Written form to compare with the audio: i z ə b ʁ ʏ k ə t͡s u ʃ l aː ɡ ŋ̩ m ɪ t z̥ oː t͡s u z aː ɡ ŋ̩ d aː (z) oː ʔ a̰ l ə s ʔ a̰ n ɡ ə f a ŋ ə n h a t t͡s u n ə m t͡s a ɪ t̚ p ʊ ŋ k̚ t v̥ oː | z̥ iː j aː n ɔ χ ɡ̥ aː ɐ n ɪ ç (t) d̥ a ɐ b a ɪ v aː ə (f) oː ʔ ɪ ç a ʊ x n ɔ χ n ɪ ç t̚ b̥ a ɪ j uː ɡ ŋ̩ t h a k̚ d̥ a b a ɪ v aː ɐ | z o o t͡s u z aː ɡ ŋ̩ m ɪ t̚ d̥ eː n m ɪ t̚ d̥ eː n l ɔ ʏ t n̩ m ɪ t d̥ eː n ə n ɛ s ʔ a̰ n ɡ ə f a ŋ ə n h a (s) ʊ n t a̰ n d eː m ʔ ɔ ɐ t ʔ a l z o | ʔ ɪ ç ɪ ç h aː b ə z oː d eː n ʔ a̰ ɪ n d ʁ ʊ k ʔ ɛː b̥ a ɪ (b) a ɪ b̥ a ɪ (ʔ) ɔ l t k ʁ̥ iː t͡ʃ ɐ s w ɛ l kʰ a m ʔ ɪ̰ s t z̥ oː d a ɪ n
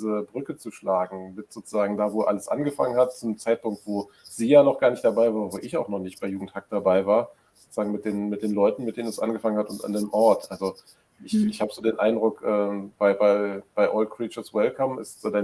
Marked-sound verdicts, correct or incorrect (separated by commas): incorrect, correct, incorrect, incorrect, correct, correct